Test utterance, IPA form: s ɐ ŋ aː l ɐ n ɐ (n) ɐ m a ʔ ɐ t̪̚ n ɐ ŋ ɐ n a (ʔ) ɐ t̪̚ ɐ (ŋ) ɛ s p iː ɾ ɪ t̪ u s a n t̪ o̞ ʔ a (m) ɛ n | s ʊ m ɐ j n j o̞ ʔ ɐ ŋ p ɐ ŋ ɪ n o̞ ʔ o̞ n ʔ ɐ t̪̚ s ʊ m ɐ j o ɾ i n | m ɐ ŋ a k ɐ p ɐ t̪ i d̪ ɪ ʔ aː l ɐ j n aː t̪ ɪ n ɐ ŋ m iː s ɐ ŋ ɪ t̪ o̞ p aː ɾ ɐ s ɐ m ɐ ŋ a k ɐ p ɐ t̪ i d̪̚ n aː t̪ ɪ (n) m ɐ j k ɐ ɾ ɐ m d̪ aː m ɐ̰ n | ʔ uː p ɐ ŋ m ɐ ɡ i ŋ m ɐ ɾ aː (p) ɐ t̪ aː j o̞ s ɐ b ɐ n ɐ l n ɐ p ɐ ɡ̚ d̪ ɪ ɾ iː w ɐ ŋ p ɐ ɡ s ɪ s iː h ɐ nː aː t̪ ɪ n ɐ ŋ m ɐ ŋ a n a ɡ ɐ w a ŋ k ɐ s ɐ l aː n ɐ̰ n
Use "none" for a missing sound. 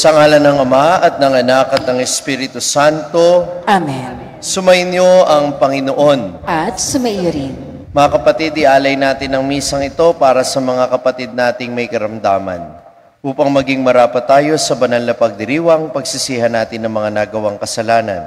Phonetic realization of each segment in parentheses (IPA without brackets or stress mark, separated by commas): ŋ, k, ŋ, m, ŋ, p